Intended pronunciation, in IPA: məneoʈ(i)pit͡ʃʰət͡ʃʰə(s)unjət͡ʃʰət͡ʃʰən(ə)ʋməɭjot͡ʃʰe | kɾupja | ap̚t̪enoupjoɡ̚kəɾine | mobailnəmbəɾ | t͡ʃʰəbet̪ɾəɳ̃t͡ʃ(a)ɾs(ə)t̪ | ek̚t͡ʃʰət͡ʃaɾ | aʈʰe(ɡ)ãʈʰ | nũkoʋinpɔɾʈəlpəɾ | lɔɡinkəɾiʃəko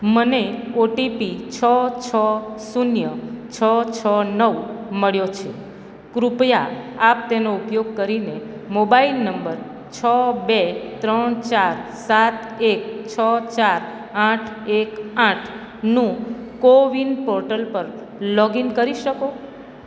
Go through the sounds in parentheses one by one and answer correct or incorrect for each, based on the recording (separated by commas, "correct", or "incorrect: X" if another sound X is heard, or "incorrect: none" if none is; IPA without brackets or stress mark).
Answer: correct, correct, correct, correct, incorrect: a, incorrect: k